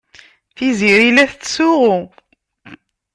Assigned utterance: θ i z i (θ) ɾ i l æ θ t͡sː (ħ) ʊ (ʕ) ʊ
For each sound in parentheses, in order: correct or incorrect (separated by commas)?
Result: incorrect, incorrect, incorrect